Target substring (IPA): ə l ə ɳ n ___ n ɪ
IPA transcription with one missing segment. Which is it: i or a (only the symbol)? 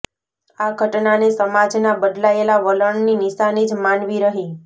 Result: i